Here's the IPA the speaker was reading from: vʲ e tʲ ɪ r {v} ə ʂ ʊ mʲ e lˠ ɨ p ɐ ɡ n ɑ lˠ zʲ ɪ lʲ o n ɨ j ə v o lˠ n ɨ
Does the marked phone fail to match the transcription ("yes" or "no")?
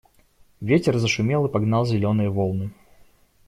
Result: yes